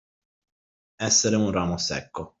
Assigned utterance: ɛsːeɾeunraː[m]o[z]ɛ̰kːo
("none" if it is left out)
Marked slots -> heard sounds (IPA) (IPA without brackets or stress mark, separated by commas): m, s